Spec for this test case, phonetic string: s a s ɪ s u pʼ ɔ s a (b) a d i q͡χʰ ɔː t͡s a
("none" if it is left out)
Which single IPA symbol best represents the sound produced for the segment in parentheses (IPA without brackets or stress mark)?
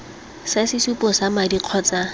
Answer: m